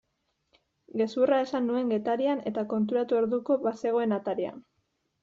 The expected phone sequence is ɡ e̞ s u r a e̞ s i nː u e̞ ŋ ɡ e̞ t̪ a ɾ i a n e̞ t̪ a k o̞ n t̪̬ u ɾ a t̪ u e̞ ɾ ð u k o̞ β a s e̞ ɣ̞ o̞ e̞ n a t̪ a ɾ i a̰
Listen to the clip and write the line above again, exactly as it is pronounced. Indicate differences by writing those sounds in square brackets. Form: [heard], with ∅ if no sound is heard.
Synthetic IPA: ɡ e̞ s u r a e̞ s [a] nː u e̞ ŋ ɡ e̞ t̪ a ɾ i a n e̞ t̪ a k o̞ n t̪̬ u ɾ a t̪ u e̞ ɾ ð u k o̞ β a s e̞ ɣ̞ o̞ e̞ n a t̪ a ɾ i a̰